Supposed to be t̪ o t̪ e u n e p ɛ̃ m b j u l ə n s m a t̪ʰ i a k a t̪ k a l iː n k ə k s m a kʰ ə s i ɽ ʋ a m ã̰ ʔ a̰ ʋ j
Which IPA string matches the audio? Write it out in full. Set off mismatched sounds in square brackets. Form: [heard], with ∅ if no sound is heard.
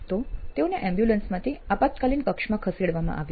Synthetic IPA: t̪ o t̪ e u n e [ʔ] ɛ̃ m b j u l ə n s m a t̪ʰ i a [p] a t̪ k a l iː n k ə k [ʂ] m a kʰ ə s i ɽ ʋ a m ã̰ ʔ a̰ ʋ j